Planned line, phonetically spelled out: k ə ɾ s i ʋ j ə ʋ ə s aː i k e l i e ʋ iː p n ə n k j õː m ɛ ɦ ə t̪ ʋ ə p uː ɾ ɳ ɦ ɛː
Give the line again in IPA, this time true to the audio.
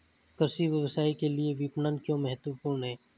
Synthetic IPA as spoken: k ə ɾ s i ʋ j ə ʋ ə s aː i k e l i e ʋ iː p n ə n k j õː m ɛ ɦ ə t̪ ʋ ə p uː ɾ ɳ ɦ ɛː

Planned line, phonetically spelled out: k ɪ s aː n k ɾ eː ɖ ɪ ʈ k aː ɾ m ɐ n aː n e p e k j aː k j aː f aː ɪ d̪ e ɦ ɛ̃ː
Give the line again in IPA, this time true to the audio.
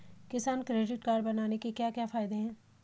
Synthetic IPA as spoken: k ɪ s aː n k ɾ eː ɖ ɪ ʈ k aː ɾ b ɐ n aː n e k e k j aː k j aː f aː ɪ d̪ e ɦ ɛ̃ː

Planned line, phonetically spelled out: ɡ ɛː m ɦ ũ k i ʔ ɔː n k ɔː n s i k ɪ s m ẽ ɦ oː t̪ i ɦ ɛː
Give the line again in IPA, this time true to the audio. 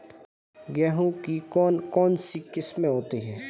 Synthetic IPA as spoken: ɡ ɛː ɦ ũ k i k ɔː n k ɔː n s i k ɪ s m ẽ ɦ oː t̪ i ɦ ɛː

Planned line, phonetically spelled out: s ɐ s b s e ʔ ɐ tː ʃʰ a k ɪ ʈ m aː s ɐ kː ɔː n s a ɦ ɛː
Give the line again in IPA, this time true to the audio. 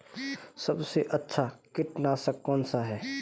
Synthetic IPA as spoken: s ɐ b s e ʔ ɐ tː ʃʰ a k ɪ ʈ n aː s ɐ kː ɔː n s a ɦ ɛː

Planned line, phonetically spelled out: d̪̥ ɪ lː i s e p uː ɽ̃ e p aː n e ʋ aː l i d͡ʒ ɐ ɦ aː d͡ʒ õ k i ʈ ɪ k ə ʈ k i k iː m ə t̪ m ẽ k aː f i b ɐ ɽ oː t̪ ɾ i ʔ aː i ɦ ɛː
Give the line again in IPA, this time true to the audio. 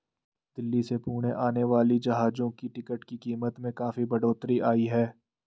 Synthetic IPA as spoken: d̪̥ ɪ lː i s e p uː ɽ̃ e ʔ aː n e ʋ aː l i d͡ʒ ɐ ɦ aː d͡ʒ õ k i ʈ ɪ k ə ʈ k i k iː m ə t̪ m ẽ k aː f i b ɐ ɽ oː t̪ ɾ i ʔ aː i ɦ ɛː

